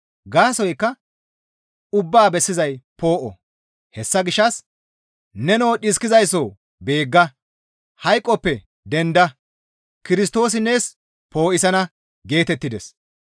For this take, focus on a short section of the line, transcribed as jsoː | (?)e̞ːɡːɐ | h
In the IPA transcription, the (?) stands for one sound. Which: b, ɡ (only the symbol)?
b